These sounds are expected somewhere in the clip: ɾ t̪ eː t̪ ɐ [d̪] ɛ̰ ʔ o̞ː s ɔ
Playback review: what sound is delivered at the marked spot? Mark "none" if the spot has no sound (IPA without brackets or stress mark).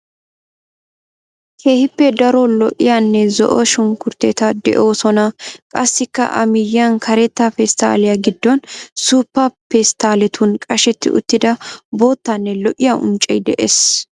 d̪